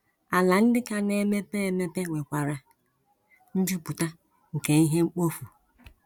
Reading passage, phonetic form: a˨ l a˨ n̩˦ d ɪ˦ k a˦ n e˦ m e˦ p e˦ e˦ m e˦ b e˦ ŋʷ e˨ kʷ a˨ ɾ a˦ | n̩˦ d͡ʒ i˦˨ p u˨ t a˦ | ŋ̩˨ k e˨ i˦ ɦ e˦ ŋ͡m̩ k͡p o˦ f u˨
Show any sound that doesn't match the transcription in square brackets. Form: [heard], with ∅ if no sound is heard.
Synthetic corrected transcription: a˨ l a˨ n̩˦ d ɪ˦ k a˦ n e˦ m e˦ p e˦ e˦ m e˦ [p] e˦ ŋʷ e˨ kʷ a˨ ɾ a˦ | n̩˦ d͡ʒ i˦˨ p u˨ t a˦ | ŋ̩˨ k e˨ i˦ ɦ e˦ ŋ͡m̩ k͡p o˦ f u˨